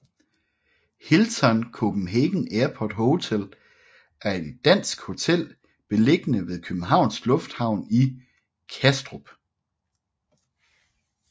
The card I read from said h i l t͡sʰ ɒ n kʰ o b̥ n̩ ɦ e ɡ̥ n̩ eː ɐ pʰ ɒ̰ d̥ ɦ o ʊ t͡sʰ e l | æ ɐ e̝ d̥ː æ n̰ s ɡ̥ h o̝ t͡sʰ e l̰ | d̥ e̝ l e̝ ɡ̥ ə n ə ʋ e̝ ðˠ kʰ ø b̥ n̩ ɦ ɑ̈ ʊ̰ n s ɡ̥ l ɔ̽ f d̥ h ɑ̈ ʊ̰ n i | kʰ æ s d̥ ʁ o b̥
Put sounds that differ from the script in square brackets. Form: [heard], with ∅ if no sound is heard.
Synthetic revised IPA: h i l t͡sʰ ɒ n kʰ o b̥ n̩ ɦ e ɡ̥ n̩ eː ɐ pʰ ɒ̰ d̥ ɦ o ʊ t͡sʰ e l | æ ɐ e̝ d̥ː æ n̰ s ɡ̥ h o̝ t͡sʰ e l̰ | [b̥] e̝ l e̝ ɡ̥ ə n ə ʋ e̝ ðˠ kʰ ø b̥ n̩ ɦ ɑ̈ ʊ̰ n s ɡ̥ l ɔ̽ f d̥ h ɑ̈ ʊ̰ n i | kʰ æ s d̥ ʁ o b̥

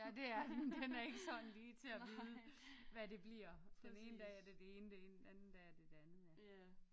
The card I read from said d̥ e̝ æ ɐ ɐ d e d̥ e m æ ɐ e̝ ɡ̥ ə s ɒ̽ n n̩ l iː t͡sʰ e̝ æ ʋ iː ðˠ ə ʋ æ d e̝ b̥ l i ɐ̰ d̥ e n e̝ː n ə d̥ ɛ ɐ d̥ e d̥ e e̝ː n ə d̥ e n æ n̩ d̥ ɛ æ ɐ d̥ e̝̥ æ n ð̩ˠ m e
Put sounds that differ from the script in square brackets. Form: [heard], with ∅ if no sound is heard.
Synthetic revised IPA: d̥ e̝ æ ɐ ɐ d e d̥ e [n] æ ɐ e̝ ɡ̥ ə s ɒ̽ n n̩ l iː t͡sʰ e̝ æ ʋ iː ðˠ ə ʋ æ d e̝ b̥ l i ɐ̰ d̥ e n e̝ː n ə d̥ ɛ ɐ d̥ e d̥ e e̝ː n ə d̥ e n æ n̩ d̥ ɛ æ ɐ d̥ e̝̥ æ n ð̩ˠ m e

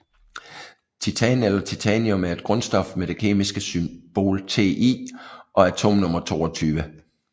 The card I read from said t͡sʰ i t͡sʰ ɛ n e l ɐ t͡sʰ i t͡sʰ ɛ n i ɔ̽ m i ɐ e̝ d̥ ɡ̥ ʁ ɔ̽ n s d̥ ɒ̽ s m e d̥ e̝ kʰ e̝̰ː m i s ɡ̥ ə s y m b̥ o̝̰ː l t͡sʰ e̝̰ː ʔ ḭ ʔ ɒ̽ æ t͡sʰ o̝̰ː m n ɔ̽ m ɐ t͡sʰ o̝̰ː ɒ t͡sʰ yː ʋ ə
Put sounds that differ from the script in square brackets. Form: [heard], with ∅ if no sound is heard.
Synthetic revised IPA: t͡sʰ i t͡sʰ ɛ n e l ɐ t͡sʰ i t͡sʰ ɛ n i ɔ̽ m [æ] ɐ e̝ d̥ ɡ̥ ʁ ɔ̽ n s d̥ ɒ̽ [f] m e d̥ e̝ kʰ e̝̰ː m i s ɡ̥ ə s y m b̥ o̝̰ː l t͡sʰ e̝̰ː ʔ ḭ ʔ ɒ̽ æ t͡sʰ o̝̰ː m n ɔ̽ m ɐ t͡sʰ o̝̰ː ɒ t͡sʰ yː ʋ ə

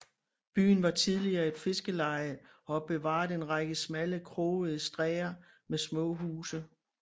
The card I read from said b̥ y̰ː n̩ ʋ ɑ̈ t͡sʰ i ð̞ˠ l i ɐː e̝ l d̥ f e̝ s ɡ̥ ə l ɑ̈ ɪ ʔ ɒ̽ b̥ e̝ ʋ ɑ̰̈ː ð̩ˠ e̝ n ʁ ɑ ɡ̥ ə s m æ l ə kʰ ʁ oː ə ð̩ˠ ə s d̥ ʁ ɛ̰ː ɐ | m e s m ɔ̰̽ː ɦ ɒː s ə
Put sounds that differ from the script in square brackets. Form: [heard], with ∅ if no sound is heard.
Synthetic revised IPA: b̥ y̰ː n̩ ʋ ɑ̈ t͡sʰ i ð̞ˠ l i ɐː e̝ [∅] d̥ f e̝ s ɡ̥ ə l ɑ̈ ɪ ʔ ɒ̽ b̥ e̝ ʋ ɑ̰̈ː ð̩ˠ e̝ n ʁ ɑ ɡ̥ ə s m æ l ə kʰ ʁ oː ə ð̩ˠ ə s d̥ ʁ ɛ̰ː ɐ | m e s m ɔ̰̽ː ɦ [uː] s ə

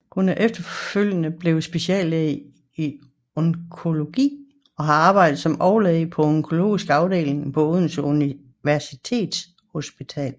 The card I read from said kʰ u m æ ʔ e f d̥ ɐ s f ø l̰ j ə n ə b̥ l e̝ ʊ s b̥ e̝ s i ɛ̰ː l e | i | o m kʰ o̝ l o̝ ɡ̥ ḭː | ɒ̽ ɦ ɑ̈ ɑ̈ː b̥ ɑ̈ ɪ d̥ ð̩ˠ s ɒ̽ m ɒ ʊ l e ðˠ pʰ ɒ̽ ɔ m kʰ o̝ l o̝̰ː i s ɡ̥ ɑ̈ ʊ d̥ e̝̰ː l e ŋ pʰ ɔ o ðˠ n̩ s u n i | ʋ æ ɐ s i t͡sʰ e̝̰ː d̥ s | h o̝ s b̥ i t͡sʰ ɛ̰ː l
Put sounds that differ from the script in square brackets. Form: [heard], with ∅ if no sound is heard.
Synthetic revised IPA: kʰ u [n] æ ʔ e f d̥ ɐ [∅] f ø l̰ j ə n ə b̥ l e̝ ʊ s b̥ e̝ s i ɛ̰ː l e | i | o [ŋ] kʰ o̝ l o̝ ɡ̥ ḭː | ɒ̽ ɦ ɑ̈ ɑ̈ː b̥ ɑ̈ ɪ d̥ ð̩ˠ s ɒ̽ m ɒ ʊ l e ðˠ pʰ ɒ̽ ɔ [ŋ] kʰ o̝ l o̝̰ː i s ɡ̥ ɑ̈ ʊ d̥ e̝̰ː l e ŋ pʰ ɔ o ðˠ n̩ s u n i | ʋ æ ɐ s i t͡sʰ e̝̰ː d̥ s | h o̝ s b̥ i t͡sʰ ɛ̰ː l

